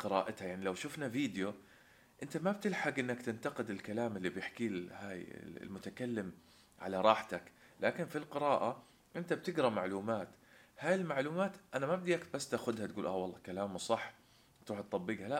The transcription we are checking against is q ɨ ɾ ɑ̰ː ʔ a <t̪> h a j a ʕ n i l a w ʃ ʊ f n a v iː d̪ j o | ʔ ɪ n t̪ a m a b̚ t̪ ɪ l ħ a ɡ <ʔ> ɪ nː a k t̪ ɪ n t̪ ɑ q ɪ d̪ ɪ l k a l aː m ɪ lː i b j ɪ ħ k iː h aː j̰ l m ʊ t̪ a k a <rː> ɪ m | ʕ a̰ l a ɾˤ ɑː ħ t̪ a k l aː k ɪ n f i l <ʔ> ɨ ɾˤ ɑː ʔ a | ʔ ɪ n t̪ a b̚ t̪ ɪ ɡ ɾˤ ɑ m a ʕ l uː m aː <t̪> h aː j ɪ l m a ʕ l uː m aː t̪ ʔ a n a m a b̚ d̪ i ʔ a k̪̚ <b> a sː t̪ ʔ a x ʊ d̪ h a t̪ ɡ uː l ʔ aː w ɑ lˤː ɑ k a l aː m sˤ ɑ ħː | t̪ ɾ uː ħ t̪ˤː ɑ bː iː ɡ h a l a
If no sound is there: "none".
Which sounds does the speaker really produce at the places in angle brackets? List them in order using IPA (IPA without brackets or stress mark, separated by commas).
t̪, ʔ, lː, q, t̪, b